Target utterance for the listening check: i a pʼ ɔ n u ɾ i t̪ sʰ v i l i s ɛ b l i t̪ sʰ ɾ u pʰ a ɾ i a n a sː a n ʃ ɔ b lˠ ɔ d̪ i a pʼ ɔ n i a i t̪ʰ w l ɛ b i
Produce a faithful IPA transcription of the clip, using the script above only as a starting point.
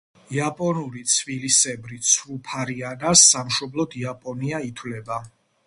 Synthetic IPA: i a pʼ ɔ n u ɾ i t̪ sʰ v i l i s ɛ b ɾ i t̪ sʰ ɾ u pʰ a ɾ i a n a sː a m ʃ ɔ b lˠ ɔ d̪ i a pʼ ɔ n i a i t̪ʰ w l ɛ b a